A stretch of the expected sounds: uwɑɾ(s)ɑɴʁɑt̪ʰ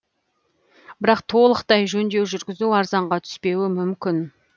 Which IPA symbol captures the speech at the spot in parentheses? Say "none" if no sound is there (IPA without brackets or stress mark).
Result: z